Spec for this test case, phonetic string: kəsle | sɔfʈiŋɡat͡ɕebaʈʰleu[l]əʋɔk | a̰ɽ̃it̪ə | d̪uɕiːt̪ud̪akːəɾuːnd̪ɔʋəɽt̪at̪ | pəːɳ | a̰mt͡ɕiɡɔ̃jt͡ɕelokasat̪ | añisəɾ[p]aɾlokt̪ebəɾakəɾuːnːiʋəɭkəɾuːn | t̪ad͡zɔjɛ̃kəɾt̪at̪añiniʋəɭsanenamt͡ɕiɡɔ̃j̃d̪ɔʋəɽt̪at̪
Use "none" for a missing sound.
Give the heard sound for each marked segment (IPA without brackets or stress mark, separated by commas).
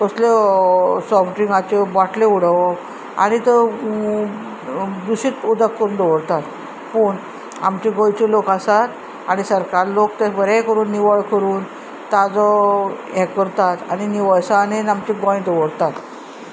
ɽ, k